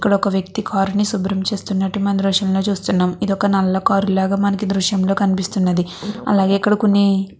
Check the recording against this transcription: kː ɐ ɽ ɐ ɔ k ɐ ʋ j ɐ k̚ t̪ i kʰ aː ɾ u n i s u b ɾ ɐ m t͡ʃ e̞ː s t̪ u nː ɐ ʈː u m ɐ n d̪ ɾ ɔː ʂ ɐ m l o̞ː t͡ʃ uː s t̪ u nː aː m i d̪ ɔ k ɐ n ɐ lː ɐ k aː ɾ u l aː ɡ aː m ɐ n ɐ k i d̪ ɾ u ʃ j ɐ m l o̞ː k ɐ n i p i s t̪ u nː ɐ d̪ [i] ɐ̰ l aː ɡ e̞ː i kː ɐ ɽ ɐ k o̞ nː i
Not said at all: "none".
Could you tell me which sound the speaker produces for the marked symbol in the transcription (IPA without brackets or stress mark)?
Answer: i